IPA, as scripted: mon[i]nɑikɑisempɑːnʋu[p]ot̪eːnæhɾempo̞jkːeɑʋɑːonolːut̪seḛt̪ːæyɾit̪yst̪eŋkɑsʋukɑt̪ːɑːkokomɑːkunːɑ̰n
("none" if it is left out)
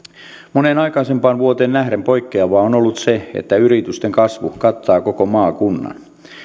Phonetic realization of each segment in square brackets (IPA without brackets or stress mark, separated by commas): e, none